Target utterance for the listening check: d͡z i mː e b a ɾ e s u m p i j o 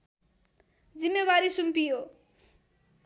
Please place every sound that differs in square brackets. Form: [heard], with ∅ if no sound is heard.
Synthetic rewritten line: d͡z i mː e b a ɾ [i] s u m p i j o